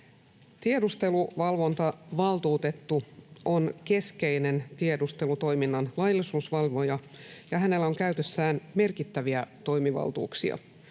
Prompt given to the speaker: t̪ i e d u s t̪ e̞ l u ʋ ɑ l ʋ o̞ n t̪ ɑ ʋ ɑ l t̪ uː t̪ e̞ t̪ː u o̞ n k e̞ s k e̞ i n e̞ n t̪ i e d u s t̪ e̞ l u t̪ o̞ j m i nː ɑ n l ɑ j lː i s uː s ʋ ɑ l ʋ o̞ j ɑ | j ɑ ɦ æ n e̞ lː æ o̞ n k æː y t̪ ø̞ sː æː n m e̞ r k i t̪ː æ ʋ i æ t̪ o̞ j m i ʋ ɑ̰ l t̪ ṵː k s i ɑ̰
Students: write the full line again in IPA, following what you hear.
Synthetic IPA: t̪ i e d u s t̪ e̞ l u ʋ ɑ l ʋ o̞ n t̪ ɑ ʋ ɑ l t̪ uː t̪ e̞ t̪ː u o̞ n k e̞ s k e̞ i n e̞ n t̪ i e d u s t̪ e̞ l u t̪ o̞ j m i nː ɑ n l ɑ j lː i s uː s ʋ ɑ l ʋ o̞ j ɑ | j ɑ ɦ æ n e̞ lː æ o̞ ŋ k æ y t̪ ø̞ sː æː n m e̞ r k i t̪ː æ ʋ i æ t̪ o̞ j m i ʋ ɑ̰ l t̪ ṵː k s i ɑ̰